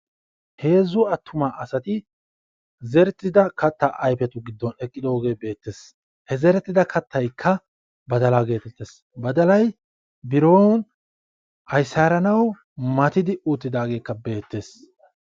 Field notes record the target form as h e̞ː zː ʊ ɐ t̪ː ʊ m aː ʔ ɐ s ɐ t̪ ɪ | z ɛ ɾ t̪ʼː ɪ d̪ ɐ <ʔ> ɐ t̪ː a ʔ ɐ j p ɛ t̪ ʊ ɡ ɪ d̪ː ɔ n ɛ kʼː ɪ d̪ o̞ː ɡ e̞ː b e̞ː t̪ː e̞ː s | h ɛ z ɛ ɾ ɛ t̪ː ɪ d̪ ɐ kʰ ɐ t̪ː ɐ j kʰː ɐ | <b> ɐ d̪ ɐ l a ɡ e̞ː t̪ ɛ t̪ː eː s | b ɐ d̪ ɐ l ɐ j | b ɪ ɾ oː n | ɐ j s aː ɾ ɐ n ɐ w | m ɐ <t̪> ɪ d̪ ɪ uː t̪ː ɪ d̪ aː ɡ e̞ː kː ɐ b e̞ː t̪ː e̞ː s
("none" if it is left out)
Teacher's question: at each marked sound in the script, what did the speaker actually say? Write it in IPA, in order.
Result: k, b, t̪

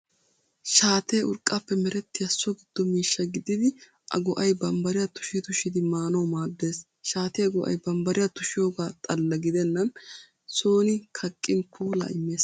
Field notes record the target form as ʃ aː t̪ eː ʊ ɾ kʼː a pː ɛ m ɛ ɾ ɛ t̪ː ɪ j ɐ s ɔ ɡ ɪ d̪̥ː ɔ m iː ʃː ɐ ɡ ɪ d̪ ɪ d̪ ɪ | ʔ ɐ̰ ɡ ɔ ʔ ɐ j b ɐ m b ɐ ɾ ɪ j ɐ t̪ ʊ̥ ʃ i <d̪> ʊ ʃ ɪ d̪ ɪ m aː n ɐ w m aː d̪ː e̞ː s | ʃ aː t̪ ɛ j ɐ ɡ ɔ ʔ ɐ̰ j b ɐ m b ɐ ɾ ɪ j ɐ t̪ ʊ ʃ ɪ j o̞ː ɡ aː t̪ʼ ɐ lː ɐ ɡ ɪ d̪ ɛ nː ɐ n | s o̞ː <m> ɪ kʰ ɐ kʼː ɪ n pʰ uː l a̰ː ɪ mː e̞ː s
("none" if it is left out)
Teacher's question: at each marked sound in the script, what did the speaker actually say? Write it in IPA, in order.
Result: t̪, n

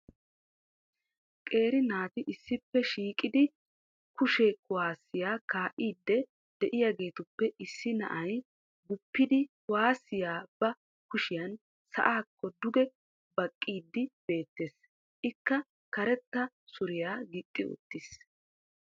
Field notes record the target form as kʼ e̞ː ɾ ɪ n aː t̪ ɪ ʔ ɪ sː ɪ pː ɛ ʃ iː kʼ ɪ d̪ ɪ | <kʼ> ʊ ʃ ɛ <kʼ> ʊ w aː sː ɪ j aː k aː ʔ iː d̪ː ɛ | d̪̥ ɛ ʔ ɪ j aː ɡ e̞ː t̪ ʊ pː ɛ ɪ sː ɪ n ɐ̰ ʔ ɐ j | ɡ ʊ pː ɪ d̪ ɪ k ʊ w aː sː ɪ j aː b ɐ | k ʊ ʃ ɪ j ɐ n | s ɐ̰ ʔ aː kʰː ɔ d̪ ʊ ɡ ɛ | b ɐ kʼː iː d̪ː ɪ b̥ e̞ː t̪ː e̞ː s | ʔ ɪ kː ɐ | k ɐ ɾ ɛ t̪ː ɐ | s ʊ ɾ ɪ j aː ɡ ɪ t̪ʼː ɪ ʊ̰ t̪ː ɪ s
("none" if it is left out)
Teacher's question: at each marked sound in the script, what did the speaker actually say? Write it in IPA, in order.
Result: k, k

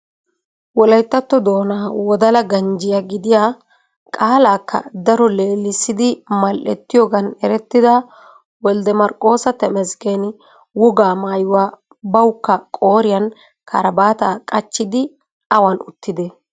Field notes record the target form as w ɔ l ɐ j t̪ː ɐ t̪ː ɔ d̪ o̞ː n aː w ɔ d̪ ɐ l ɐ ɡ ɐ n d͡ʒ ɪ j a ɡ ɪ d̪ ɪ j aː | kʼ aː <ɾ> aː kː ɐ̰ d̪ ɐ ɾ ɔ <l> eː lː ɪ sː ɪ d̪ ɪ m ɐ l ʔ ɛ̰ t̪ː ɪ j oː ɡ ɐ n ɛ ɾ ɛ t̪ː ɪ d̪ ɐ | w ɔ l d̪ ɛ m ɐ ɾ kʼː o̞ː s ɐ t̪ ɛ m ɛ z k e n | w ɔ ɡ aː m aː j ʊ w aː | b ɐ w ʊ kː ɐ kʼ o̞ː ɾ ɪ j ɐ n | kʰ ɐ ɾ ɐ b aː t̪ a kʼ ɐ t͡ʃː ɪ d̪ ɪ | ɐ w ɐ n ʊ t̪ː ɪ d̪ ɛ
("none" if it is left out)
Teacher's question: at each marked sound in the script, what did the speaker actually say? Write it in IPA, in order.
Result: l, l

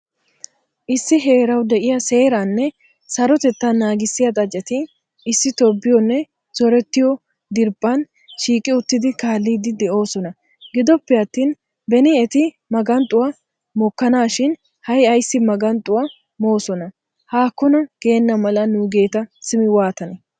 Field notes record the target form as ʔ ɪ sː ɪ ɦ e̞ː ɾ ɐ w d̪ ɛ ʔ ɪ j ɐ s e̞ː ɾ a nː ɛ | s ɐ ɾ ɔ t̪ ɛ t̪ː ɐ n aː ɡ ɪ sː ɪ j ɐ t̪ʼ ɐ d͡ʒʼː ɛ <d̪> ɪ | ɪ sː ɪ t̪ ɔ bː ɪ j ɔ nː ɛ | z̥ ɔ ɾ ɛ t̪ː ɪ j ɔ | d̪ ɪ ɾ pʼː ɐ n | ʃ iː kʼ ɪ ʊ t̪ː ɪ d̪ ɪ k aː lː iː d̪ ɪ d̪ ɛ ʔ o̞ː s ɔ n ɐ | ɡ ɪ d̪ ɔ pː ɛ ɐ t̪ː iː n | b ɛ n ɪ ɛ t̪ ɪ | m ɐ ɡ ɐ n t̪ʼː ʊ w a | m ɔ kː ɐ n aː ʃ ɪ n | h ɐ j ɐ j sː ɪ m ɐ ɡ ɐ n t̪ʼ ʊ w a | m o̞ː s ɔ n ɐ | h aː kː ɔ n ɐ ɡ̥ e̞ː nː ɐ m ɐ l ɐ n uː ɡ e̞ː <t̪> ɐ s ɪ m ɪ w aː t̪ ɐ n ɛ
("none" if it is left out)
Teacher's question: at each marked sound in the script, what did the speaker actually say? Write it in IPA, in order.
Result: t̪, t̪

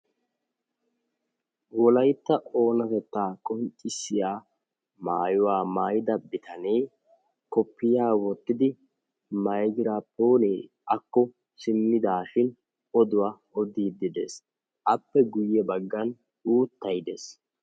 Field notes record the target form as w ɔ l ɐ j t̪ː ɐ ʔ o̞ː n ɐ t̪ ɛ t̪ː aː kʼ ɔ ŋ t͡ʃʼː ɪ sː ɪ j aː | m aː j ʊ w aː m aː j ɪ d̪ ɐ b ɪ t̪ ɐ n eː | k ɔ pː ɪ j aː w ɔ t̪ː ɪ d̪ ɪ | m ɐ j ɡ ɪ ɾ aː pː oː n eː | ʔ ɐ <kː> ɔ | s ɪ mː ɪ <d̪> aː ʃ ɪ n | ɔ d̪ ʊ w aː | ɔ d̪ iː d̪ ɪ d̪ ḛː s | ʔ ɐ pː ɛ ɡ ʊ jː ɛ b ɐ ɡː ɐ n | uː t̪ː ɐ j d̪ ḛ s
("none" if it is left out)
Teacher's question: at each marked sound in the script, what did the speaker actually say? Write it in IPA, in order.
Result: kː, d̪

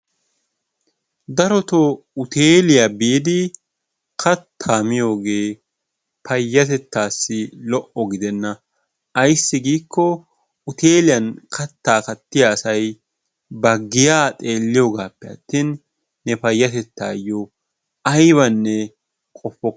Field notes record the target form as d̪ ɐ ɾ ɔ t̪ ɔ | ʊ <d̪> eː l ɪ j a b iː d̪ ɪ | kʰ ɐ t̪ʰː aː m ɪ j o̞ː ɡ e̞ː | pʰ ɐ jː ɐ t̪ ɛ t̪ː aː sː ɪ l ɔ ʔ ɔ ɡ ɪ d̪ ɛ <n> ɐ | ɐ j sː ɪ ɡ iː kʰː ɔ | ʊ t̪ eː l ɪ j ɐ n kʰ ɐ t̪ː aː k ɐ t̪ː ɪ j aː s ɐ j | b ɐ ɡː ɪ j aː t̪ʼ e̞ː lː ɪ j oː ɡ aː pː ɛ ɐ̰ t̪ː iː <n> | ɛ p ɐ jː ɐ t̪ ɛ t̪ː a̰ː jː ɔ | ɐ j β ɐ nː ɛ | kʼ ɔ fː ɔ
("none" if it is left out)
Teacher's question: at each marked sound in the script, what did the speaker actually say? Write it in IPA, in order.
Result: t̪, nː, nː

